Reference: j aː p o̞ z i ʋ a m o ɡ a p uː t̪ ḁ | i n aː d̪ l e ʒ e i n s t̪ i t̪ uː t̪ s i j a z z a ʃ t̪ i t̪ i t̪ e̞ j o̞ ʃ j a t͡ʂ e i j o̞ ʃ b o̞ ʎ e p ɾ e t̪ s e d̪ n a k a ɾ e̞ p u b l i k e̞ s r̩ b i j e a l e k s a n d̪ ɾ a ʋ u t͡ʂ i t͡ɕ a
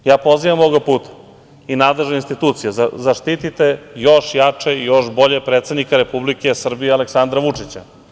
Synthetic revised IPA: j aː p o̞ z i ʋ a m o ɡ a p uː t̪ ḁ | i n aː d̪ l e ʒ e i n s t̪ i t̪ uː t̪ s i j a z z a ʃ t̪ i t̪ i t̪ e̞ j o̞ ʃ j a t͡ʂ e i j o̞ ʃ b o̞ ʎ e p ɾ e t̪ s e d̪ n i k a ɾ e̞ p u b l i k e̞ s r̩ b i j e a l e k s a n d̪ ɾ a ʋ u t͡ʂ i t͡ɕ a